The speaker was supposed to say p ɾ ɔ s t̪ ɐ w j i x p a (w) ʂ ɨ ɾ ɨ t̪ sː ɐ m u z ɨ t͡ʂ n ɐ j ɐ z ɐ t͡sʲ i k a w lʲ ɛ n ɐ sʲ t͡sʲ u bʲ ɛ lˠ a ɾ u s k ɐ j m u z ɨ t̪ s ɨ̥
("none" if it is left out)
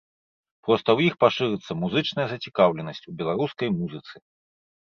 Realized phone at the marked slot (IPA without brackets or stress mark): none